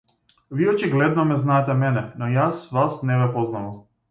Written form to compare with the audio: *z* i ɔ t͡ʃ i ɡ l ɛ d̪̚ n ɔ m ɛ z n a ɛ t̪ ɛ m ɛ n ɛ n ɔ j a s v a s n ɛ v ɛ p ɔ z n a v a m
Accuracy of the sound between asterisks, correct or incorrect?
incorrect